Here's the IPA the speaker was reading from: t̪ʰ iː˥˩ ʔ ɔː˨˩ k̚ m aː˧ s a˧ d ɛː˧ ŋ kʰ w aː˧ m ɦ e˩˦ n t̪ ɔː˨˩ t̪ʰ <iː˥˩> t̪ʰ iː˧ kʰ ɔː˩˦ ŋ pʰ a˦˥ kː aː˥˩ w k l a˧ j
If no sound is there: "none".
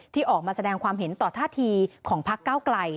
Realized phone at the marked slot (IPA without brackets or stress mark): aː˥˩